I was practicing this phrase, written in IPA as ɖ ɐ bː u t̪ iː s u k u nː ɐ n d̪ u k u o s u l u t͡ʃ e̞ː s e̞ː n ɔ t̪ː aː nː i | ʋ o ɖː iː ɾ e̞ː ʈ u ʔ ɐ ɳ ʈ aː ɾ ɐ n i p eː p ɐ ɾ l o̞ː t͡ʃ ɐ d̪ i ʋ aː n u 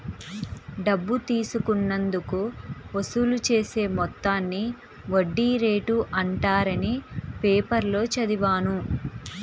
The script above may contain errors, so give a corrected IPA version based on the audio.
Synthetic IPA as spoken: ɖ ɐ bː u t̪ iː s u k u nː ɐ n d̪ u k u o s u l u t͡ʃ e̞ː s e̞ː m ɔ t̪ː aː nː i | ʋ o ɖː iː ɾ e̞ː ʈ u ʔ ɐ ɳ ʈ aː ɾ ɐ n i p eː p ɐ ɾ l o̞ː t͡ʃ ɐ d̪ i ʋ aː n u